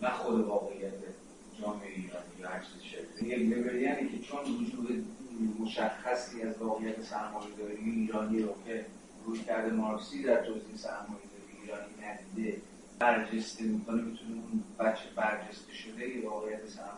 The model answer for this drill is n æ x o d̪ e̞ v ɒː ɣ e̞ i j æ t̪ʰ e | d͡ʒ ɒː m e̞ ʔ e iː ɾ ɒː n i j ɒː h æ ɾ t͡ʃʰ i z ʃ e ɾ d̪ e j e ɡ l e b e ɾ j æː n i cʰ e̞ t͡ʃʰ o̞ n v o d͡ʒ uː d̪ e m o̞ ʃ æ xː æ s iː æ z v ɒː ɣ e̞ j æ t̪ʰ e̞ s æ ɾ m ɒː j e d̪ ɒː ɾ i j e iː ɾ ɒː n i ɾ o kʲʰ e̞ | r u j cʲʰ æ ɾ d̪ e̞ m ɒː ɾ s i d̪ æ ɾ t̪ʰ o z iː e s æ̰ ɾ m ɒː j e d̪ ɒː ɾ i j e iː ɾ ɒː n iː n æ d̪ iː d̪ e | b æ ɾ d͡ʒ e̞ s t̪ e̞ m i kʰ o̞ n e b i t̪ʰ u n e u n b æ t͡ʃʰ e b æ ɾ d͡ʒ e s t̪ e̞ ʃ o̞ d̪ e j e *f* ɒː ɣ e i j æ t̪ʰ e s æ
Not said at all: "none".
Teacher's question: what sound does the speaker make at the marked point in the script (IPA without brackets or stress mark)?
v